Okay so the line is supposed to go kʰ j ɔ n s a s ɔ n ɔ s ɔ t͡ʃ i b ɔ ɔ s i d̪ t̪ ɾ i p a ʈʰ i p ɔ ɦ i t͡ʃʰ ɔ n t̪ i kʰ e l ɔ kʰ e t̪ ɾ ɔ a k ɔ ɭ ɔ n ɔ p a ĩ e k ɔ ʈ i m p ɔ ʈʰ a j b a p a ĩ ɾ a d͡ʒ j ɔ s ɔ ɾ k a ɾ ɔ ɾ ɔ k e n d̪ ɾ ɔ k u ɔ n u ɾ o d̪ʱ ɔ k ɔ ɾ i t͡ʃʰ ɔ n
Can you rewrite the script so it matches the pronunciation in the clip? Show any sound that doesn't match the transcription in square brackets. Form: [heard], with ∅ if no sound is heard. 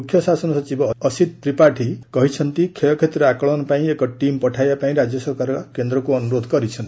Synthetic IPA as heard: kʰ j ɔ [∅] s a s ɔ n ɔ s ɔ t͡ʃ i b ɔ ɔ s i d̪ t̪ ɾ i p a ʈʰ i [k] ɔ ɦ i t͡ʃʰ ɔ n t̪ i kʰ e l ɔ kʰ e t̪ ɾ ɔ a k ɔ ɭ ɔ n ɔ p a ĩ e k ɔ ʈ i m p ɔ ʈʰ a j b a p a ĩ ɾ a d͡ʒ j ɔ s ɔ ɾ k a ɾ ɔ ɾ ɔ k e n d̪ ɾ ɔ k u ɔ n u ɾ o d̪ʱ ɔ k ɔ ɾ i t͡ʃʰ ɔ n